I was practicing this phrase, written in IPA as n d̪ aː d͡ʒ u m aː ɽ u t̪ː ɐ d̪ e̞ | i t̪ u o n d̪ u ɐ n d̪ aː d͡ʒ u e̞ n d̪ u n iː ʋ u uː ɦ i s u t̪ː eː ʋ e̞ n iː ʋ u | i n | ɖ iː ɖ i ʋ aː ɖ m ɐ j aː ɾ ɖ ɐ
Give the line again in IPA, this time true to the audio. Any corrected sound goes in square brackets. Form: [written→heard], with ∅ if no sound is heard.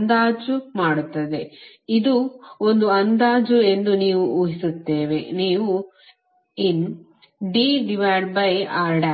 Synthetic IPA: n d̪ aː d͡ʒ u m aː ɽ u t̪ː ɐ d̪ e̞ | i [t̪→d̪] u o n d̪ u ɐ n d̪ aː d͡ʒ u e̞ n d̪ u n iː ʋ u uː ɦ i s u t̪ː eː ʋ e̞ n iː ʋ u | i n | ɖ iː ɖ i ʋ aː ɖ [m→b] ɐ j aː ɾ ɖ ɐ